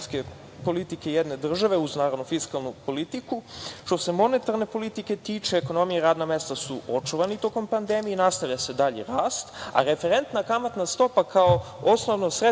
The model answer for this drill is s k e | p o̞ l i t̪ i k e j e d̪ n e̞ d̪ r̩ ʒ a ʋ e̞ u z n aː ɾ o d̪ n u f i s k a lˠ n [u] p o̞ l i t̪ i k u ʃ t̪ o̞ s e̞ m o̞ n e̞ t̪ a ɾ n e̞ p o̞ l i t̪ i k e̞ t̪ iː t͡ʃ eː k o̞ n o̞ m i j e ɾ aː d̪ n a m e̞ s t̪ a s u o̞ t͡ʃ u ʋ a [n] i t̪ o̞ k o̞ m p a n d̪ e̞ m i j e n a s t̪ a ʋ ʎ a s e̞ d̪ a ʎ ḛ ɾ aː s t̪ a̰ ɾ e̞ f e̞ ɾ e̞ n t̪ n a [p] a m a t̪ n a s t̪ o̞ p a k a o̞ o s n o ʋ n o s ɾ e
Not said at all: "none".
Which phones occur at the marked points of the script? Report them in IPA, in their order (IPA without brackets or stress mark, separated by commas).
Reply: u, n, k